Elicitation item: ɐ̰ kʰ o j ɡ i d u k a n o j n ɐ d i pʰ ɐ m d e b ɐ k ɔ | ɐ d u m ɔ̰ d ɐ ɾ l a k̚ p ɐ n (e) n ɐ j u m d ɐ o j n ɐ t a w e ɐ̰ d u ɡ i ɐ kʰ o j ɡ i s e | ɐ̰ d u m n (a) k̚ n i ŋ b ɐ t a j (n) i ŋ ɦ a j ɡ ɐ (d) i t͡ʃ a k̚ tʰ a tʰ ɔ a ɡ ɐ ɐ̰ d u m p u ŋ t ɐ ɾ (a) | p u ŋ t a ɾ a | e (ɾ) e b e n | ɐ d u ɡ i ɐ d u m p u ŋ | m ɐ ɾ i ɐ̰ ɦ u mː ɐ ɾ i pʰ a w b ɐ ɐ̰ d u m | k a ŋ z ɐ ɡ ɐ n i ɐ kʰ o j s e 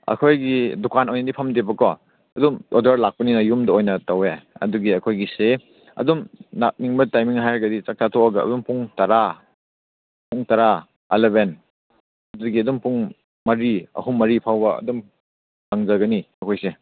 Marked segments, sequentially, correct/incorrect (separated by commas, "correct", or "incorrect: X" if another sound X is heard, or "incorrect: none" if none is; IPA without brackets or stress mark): incorrect: i, correct, incorrect: m, correct, correct, incorrect: l